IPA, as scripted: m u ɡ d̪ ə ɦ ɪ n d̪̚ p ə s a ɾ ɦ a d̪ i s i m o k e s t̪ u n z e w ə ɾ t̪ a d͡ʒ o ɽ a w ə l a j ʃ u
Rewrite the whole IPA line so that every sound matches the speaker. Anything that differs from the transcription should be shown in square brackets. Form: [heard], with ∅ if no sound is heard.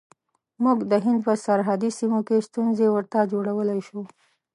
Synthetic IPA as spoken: m u ɡ d̪ ə ɦ ɪ n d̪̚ p ə s a ɾ ɦ a d̪ i s i m o k e s t̪ u n z e w ə ɾ t̪ a d͡ʒ o ɽ a w ə l a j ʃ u